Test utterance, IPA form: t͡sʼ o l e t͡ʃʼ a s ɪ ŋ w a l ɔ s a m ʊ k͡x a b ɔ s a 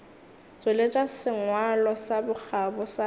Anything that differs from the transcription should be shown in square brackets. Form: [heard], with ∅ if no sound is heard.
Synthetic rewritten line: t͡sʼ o l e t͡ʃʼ a s ɪ ŋ w a l ɔ s a [b] ʊ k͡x a b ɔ s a

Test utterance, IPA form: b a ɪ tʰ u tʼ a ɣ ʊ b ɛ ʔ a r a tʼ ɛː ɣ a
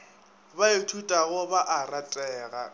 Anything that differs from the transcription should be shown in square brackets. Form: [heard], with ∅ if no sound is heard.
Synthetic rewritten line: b a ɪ tʰ u tʼ a ɣ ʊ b [a] ʔ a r a tʼ ɛː ɣ a

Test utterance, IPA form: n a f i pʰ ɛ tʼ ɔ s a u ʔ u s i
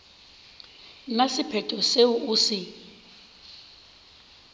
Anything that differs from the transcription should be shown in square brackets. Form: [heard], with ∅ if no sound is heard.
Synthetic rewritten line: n a [s] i pʰ ɛ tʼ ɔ s [e] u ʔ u s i

